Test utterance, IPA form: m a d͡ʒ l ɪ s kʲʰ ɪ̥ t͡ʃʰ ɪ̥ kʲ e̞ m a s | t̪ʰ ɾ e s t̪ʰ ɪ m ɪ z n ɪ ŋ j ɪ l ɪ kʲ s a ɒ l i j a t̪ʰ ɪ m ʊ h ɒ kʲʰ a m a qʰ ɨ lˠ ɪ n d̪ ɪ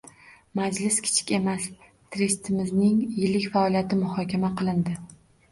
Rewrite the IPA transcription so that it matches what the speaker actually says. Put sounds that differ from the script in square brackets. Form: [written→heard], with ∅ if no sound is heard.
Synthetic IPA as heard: m a d͡ʒ l ɪ s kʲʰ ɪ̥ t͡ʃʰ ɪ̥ kʲ e̞ m a s | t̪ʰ ɾ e s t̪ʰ ɪ m ɪ z n ɪ ŋ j ɪ l ɪ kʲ [s→f] a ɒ l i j a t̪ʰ ɪ m ʊ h ɒ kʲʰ a m a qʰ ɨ lˠ ɪ n d̪ ɪ